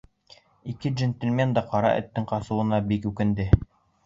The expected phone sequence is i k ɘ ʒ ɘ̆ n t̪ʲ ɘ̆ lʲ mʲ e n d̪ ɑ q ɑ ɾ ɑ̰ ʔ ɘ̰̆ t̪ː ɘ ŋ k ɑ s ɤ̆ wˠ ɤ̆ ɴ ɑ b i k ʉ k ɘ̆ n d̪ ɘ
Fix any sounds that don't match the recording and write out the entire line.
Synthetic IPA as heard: i k ɘ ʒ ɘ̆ n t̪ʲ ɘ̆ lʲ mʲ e n d̪ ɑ q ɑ ɾ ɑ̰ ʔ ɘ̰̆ t̪ː ɘ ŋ q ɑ s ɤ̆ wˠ ɤ̆ n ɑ b i k ʉ k ɘ̆ n d̪ ɘ